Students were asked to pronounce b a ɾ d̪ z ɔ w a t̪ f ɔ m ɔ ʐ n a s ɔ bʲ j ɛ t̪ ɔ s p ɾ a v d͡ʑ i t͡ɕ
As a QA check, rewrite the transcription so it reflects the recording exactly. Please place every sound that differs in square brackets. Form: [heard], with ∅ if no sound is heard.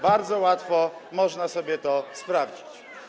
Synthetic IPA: b a ɾ d̪ z ɔ w a t̪ f ɔ m ɔ ʐ n a s ɔ bʲ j ɛ t̪ ɔ s p ɾ a v d͡ʑ i t͡ɕ